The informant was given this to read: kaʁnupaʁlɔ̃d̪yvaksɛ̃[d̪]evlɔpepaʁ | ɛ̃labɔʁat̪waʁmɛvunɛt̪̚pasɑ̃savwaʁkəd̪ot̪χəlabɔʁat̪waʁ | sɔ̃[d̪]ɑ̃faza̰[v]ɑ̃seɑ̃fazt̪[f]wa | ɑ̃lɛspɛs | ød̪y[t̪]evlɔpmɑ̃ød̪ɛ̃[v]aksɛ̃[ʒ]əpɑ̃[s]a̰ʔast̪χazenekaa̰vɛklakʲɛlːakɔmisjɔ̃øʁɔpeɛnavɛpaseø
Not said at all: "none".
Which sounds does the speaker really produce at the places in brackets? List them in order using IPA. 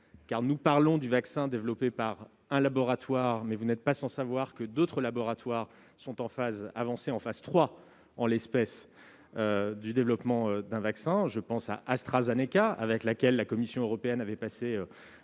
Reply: d̪, t̪, v, χ, d̪, v, ʒ, s

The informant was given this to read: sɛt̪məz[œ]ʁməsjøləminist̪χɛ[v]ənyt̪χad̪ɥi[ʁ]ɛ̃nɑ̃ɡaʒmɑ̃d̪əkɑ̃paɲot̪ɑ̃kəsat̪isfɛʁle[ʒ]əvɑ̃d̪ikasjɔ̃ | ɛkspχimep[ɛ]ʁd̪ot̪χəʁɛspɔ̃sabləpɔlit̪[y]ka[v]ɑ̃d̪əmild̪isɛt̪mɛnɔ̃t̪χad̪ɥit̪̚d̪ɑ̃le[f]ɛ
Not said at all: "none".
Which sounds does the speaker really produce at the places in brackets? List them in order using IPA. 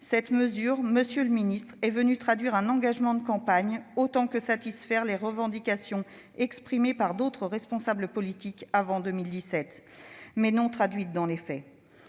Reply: y, v, ʁ, ʁ, a, i, v, f

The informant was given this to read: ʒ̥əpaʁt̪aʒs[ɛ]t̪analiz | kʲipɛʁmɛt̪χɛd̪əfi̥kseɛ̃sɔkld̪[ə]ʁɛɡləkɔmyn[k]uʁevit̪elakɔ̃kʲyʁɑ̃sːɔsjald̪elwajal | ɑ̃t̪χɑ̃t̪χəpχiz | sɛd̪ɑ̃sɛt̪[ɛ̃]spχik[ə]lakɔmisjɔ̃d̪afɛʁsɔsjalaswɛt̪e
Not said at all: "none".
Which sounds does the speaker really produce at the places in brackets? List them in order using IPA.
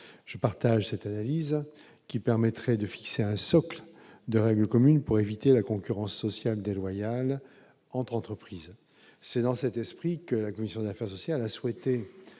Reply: ɛ, ə, p, ɛ, ə

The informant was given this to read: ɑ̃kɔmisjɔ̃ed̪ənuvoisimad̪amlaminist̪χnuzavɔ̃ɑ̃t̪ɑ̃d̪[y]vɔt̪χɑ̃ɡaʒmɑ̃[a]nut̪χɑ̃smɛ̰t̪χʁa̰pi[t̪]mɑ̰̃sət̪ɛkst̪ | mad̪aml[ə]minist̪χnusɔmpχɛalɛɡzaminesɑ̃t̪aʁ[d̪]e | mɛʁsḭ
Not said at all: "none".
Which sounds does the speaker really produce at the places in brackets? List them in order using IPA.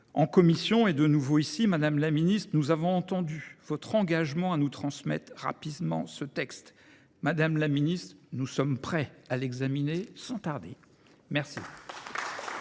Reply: y, a, d̪, a, d̪

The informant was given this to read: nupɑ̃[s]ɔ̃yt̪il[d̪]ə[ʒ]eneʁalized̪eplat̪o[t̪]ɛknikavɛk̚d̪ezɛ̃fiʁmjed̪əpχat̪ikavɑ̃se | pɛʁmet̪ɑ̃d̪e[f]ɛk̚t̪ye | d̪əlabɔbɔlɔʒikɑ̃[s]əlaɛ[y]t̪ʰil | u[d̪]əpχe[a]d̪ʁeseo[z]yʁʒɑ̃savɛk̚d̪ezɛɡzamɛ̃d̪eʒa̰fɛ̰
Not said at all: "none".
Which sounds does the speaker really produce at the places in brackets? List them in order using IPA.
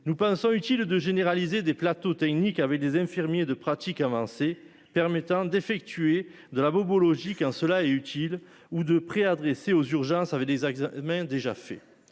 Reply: s, d̪, ʒ, t̪, f, s, y, d̪, a, z

